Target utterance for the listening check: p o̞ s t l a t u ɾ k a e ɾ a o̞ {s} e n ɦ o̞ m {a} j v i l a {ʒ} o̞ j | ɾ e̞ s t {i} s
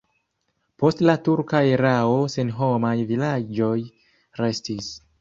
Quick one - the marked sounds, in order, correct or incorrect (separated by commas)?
correct, correct, incorrect, correct